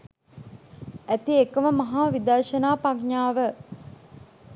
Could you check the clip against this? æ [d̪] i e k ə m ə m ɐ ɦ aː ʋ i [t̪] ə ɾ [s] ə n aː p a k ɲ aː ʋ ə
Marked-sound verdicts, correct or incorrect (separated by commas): incorrect, incorrect, incorrect